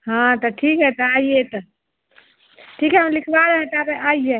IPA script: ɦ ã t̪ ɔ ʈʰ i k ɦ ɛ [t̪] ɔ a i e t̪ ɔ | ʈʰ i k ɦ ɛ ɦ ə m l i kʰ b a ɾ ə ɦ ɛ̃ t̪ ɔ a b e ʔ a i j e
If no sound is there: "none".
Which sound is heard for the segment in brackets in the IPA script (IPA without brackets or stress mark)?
t̪